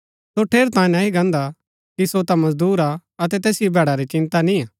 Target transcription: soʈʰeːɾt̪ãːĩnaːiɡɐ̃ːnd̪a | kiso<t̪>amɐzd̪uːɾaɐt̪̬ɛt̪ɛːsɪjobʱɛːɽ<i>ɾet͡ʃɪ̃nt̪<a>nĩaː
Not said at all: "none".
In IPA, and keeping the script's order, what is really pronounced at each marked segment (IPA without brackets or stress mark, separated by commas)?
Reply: t̪, a, a